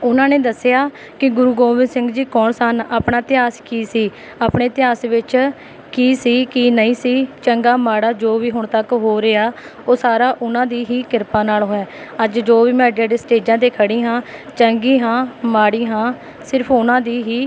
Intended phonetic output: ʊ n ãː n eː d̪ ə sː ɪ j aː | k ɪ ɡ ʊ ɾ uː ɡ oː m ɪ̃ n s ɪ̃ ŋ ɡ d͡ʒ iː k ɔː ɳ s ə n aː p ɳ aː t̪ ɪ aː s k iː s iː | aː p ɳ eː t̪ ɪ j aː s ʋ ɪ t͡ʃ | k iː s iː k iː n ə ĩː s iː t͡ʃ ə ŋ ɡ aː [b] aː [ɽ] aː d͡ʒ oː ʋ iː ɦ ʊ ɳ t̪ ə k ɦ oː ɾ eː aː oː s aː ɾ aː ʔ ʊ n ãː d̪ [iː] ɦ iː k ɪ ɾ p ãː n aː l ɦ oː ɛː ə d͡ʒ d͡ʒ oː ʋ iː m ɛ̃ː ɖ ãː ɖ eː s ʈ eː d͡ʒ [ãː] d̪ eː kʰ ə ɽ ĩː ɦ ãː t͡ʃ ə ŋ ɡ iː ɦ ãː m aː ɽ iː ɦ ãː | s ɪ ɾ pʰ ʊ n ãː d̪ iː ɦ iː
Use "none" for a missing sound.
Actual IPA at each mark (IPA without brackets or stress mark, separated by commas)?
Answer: m, ɽ, iː, ãː